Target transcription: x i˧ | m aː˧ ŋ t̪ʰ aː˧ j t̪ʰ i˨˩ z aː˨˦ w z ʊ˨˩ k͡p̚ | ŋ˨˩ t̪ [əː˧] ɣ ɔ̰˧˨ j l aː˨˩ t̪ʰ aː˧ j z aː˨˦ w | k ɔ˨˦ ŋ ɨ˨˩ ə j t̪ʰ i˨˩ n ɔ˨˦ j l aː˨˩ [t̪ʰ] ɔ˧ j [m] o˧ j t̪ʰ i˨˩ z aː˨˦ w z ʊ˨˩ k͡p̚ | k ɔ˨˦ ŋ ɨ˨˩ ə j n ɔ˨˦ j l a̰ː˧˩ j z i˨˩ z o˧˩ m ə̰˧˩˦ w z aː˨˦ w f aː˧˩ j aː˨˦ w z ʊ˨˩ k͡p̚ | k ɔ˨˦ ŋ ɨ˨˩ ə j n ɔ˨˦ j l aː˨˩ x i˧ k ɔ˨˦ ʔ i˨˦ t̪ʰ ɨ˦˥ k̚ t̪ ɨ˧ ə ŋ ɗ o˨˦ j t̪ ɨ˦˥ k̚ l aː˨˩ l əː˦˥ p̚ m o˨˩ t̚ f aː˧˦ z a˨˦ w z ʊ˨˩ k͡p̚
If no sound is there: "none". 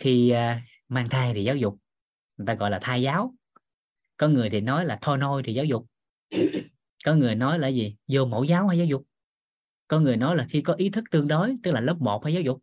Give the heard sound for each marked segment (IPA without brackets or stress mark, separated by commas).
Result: aː˧, t̪ʰ, n